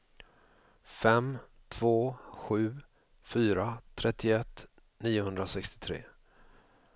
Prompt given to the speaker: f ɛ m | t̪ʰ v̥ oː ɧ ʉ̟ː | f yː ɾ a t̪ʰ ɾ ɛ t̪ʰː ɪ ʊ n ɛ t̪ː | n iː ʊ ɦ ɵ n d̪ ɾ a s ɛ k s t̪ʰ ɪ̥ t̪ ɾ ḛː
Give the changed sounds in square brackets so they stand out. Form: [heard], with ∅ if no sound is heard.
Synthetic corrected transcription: f ɛ m | t̪ʰ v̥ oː ɧ ʉ̟ː | f yː ɾ a t̪ʰ ɾ ɛ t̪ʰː ɪ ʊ [∅] ɛ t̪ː | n iː ʊ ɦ ɵ n d̪ ɾ a s ɛ k s [t̪] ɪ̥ [t̪ʰ] ɾ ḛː